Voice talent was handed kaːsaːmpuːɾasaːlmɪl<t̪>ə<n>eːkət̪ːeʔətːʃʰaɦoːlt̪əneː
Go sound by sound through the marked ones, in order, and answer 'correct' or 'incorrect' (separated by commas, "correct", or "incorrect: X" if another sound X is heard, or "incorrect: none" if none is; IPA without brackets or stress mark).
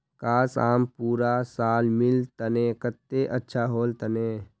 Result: correct, correct